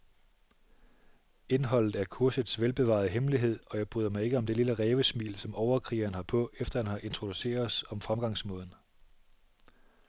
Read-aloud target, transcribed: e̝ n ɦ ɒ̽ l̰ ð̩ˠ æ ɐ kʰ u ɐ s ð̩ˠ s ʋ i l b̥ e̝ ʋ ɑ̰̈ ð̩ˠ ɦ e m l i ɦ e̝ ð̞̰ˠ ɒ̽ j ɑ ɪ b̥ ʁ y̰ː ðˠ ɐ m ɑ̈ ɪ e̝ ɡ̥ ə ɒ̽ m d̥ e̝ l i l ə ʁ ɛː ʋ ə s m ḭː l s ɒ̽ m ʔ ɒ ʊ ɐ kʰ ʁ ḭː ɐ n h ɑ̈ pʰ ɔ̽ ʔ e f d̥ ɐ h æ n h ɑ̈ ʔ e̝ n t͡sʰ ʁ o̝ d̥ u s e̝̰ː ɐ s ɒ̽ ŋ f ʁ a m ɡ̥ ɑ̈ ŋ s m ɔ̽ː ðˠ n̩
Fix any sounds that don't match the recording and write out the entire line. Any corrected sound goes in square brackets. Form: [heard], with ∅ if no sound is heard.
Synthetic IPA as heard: e̝ n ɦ ɒ̽ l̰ ð̩ˠ æ ɐ kʰ u ɐ s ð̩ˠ s ʋ [e] l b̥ e̝ ʋ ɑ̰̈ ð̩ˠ ɦ e m l i ɦ e̝ ð̞̰ˠ ɒ̽ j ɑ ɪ b̥ ʁ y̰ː ðˠ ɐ m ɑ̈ ɪ e̝ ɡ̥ ə ɒ̽ m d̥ e̝ l i l ə ʁ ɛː ʋ ə s m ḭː l s ɒ̽ m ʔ ɒ ʊ ɐ kʰ ʁ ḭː ɐ n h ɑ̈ pʰ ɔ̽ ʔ e f d̥ ɐ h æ n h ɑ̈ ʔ e̝ n t͡sʰ ʁ o̝ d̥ u s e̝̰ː ɐ s ɒ̽ [m] f ʁ a m ɡ̥ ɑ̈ ŋ s m ɔ̽ː ðˠ n̩